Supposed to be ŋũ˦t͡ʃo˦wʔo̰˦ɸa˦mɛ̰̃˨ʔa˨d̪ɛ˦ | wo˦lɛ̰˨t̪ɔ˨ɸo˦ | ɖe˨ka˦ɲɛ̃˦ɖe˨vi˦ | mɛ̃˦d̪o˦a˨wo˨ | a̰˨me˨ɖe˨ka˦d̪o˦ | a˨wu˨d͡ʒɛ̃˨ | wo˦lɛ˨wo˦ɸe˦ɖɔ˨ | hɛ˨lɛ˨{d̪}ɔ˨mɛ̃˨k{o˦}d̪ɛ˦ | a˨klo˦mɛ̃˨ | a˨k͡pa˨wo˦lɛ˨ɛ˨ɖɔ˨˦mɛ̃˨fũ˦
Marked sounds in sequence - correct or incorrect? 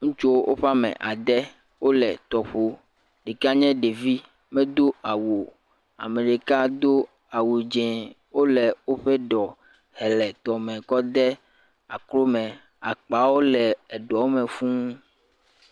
incorrect, incorrect

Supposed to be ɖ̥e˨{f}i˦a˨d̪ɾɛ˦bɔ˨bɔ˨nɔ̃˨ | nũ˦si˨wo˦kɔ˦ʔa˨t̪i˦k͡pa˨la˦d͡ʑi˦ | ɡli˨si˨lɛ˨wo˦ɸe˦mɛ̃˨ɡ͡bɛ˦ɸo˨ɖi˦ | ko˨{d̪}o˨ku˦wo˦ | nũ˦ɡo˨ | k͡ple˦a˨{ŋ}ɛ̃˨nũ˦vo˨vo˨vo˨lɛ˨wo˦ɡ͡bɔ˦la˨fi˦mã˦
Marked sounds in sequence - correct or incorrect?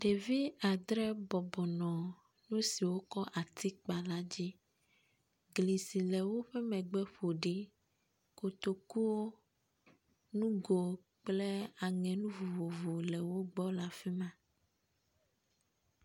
incorrect, incorrect, correct

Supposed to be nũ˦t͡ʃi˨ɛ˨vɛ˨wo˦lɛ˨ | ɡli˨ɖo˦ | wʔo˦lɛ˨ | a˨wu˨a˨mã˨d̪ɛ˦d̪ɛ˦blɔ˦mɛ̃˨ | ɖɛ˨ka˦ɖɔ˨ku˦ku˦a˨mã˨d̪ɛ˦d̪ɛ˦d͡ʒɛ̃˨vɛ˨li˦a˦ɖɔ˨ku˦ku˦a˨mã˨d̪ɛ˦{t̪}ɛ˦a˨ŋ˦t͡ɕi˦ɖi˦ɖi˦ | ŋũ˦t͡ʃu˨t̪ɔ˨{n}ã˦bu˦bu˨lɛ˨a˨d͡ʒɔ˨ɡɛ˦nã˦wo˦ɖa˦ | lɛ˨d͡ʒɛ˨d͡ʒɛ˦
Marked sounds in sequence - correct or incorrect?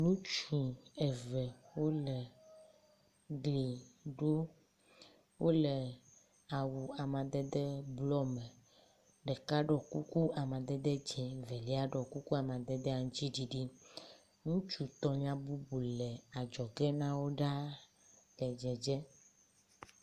incorrect, incorrect

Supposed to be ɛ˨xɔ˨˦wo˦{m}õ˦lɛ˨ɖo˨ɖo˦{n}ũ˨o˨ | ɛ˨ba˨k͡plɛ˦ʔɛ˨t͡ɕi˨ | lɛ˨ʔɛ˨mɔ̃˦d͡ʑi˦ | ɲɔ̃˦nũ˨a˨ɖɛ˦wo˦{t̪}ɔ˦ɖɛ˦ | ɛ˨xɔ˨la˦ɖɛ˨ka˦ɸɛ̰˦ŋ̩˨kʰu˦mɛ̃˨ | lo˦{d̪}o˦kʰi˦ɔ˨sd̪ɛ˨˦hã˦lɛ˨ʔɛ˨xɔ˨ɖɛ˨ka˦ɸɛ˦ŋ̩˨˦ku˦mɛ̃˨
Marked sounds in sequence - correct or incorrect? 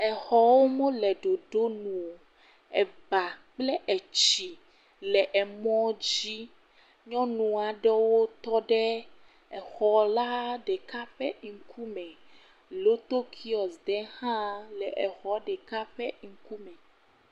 correct, correct, correct, incorrect

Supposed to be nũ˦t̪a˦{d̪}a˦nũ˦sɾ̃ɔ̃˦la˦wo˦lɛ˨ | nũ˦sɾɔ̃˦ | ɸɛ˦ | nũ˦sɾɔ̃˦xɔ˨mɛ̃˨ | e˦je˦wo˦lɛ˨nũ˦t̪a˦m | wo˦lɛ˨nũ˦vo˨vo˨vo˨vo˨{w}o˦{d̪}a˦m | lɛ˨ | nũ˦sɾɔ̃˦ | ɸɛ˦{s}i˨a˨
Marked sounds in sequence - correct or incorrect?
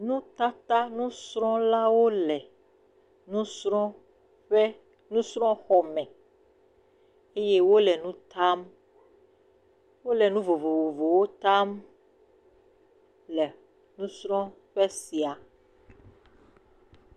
incorrect, correct, incorrect, correct

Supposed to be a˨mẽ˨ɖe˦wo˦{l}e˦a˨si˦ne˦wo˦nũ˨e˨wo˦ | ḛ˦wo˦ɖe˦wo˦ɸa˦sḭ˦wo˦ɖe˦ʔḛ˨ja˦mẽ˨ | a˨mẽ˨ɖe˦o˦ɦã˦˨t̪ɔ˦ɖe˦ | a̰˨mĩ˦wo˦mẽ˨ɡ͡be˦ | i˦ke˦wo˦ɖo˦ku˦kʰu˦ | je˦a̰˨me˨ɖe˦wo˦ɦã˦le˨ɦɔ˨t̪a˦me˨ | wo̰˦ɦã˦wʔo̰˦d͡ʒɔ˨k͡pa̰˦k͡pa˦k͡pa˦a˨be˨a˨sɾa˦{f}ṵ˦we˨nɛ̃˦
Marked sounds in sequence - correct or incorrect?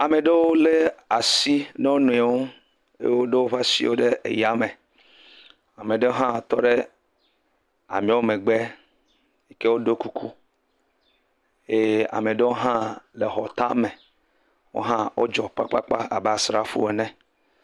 correct, correct

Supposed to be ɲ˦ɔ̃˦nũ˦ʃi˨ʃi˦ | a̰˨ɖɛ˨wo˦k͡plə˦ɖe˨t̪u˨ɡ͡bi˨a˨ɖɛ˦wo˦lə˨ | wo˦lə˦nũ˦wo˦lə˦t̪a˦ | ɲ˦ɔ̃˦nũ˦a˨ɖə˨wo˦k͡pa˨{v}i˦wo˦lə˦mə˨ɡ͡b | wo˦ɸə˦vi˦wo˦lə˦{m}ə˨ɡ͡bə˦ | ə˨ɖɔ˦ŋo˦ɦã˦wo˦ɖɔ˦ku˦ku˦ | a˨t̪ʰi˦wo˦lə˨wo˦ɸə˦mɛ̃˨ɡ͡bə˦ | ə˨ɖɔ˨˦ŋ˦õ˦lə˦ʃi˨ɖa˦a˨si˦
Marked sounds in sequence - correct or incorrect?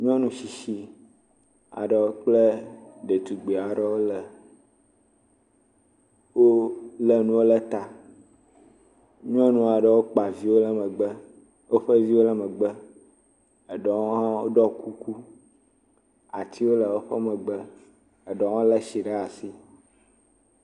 correct, correct

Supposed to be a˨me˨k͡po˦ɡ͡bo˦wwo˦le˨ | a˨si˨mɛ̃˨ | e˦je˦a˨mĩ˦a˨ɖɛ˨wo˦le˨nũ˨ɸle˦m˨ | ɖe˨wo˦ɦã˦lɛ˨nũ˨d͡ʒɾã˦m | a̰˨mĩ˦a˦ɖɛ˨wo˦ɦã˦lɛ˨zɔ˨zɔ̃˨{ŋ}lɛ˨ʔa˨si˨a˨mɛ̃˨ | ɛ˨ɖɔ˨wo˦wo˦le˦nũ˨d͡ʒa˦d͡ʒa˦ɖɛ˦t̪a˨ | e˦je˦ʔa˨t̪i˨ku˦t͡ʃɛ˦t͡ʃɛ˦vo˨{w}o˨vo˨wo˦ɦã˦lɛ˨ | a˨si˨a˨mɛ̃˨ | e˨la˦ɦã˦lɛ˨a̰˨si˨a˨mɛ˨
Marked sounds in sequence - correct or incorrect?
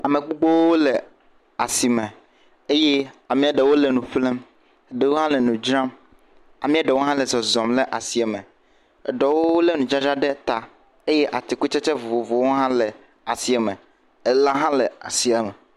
incorrect, incorrect

